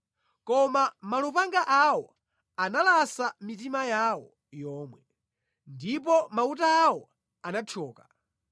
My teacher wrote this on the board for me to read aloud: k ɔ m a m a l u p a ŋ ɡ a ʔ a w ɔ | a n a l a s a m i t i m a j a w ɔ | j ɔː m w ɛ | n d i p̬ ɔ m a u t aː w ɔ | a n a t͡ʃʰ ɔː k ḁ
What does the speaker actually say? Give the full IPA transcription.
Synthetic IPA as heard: k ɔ m a m a l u p a ŋ ɡ a ʔ a w ɔ | a n a l a s a m i t i m a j a w ɔ | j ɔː m w ɛ | n d i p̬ ɔ m a u t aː w ɔ | a n a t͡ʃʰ ɔː k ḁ